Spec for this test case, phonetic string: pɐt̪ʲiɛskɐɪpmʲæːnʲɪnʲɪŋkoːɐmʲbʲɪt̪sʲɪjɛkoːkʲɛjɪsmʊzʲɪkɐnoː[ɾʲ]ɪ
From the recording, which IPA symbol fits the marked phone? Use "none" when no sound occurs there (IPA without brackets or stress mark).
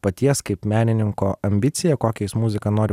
ɾʲ